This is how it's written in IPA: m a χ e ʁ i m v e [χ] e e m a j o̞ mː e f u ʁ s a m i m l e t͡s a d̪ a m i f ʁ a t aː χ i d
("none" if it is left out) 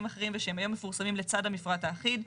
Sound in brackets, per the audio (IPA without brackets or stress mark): ʃ